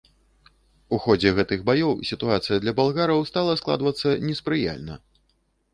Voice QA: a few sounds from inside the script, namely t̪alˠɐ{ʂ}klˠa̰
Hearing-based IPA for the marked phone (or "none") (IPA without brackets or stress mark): s